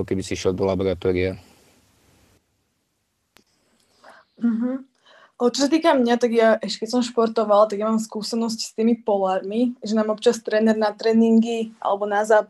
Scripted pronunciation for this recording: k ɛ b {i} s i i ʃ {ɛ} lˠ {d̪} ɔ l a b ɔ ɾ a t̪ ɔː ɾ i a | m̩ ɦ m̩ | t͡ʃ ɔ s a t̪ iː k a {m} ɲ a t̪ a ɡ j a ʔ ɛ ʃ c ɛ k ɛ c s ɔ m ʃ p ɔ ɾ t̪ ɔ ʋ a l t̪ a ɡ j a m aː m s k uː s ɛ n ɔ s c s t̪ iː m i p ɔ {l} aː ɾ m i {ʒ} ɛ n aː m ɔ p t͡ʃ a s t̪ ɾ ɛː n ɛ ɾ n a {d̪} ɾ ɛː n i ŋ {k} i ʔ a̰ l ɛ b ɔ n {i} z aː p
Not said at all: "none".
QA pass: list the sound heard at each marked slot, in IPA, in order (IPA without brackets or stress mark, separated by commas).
i, ɛ, d̪, m, l, ʒ, t̪, ɡ, a